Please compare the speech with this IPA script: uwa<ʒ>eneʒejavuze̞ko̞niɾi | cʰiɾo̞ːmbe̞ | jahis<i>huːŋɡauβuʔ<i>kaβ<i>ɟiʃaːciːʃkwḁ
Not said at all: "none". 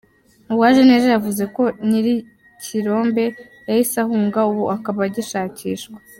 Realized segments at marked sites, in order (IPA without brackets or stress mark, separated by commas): ʒ, a, a, a